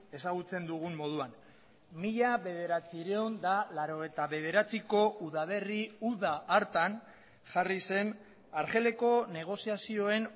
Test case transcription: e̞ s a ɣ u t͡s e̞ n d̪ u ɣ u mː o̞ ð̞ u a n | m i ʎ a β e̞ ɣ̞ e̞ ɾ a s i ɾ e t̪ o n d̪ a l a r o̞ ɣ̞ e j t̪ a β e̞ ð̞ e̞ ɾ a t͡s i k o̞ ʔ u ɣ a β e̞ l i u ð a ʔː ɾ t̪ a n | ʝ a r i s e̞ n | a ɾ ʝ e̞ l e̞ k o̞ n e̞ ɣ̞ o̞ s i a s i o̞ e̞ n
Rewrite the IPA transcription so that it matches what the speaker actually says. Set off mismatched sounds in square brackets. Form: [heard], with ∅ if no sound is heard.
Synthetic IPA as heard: e̞ s a ɣ u t͡s e̞ n d̪ u ɣ u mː o̞ ð̞ u a n | m i ʎ a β e̞ [ð̞] e̞ ɾ a [t͡s] i ɾ e [∅] o n d̪ a l a [ɾ] o̞ ɣ̞ e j t̪ a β e̞ ð̞ e̞ ɾ a t͡s i k o̞ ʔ u [ð] a β e̞ [r] i u ð a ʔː ɾ t̪ a n | ʝ a r i s e̞ n | a ɾ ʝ e̞ l e̞ k o̞ n e̞ ɣ̞ o̞ s i a s i o̞ e̞ n